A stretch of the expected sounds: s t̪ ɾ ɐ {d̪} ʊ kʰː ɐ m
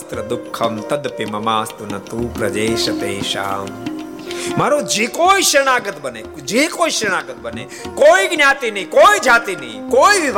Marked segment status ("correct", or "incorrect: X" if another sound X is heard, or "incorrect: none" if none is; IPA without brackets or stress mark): correct